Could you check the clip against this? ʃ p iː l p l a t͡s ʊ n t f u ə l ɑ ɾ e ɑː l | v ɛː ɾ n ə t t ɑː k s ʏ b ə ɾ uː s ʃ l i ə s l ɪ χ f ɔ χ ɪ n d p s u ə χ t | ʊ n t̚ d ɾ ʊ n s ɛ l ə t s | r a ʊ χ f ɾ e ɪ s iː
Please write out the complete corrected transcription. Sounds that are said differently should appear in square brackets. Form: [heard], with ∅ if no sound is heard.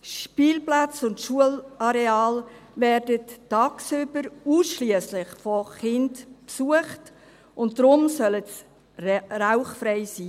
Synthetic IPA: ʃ p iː l p l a t͡s ʊ n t [ʃ] u ə l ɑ ɾ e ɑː l | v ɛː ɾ [d] ə t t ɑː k s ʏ b ə ɾ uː s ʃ l i ə s l ɪ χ f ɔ χ ɪ n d p s u ə χ t | ʊ n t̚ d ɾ ʊ [m] s [œ] l ə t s | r a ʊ χ f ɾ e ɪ s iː